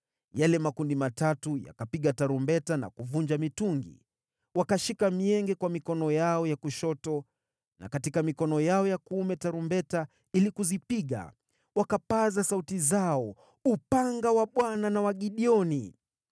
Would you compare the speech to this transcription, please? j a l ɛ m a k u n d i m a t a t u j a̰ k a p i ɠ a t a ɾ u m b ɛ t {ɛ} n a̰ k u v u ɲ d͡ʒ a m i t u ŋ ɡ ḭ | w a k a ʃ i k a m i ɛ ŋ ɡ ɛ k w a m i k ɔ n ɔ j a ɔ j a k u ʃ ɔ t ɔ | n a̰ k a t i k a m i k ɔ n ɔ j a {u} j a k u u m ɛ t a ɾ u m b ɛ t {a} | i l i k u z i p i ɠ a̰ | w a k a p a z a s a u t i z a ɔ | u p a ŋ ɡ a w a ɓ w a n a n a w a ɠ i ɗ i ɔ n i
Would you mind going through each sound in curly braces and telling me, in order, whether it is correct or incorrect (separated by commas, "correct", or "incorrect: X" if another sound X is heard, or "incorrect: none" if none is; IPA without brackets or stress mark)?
incorrect: a, incorrect: ɔ, correct